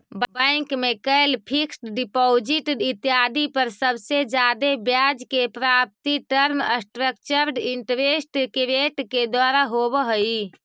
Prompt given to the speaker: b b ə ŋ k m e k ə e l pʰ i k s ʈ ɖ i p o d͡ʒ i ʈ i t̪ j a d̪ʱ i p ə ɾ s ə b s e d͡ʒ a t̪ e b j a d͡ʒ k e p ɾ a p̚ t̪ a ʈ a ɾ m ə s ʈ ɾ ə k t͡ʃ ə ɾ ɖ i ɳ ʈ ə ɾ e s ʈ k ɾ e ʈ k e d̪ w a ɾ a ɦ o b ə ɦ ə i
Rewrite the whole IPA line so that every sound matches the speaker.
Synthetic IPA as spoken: b b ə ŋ k m e k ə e l pʰ i k s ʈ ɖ i p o d͡ʒ i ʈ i t̪ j a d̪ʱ i p ə ɾ s ə b s e d͡ʒ a d̪ e b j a d͡ʒ k e p ɾ a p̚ t̪ i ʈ ə ɾ m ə s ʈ ɾ ə k t͡ʃ ə ɾ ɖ i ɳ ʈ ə ɾ e s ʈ k ɾ e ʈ k e d̪ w a ɾ a ɦ o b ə ɦ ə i